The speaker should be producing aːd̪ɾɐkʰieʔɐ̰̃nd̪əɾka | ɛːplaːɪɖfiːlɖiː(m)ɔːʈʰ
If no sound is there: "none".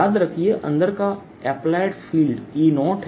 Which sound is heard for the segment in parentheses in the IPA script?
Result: n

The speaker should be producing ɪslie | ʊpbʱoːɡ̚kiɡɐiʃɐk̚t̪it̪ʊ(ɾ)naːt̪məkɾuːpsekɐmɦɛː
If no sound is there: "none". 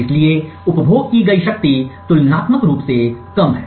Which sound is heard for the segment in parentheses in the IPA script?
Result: l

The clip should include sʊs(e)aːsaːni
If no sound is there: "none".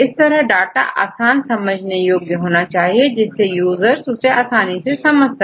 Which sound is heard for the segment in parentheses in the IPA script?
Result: e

